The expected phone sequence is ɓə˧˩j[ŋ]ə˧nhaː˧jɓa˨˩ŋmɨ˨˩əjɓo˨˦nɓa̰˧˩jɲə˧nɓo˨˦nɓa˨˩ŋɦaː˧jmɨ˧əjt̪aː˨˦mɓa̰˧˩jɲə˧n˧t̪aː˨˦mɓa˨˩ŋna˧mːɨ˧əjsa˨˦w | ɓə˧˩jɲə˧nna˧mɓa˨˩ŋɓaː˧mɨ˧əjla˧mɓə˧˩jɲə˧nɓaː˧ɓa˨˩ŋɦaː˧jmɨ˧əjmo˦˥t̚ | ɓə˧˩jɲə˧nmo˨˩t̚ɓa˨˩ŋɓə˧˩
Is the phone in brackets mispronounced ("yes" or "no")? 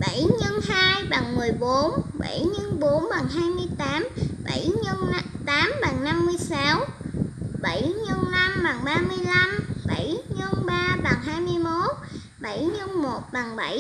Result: yes